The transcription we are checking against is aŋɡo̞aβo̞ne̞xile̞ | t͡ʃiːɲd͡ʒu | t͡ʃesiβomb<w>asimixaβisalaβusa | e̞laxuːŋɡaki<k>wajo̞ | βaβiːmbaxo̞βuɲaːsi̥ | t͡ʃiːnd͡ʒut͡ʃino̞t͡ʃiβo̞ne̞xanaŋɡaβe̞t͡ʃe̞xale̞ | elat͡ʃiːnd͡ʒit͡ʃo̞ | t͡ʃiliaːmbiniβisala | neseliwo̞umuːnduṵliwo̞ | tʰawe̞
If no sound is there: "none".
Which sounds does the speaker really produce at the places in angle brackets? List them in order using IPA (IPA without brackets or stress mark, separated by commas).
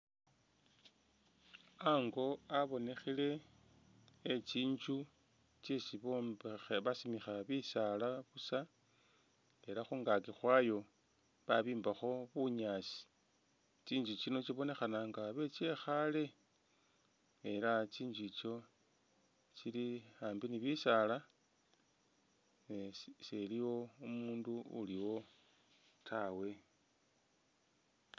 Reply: β, x